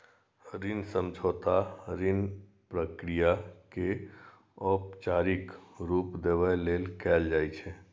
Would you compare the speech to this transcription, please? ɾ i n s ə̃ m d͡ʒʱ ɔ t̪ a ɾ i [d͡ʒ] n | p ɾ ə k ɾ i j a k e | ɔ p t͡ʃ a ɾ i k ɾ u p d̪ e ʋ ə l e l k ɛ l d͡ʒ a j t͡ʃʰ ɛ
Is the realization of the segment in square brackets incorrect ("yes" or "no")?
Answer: yes